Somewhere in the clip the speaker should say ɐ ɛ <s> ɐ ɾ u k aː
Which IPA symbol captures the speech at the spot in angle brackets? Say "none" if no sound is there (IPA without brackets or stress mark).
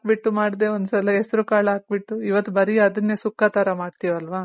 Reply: s